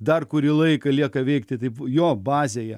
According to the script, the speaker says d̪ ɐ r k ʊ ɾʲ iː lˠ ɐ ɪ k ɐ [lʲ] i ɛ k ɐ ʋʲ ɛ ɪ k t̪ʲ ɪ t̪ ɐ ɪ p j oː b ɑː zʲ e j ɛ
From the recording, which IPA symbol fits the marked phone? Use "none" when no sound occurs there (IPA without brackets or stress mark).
lʲ